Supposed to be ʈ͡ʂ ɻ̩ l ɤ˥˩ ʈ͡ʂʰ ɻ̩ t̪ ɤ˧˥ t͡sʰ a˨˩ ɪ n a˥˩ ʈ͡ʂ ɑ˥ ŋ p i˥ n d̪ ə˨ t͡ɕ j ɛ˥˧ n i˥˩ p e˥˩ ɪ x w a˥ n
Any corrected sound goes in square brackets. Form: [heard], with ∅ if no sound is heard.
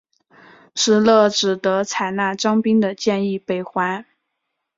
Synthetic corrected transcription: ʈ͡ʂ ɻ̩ l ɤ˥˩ [ʈ͡ʂ] ɻ̩ t̪ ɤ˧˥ t͡sʰ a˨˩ ɪ n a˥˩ ʈ͡ʂ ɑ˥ ŋ p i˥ [ŋ] d̪ ə˨ t͡ɕ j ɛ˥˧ n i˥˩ p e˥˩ ɪ x w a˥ n